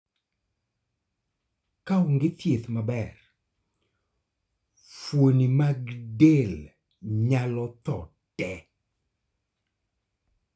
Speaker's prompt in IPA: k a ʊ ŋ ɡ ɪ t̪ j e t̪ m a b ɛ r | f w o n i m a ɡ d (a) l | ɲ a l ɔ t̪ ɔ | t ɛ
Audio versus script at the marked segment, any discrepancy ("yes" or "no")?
yes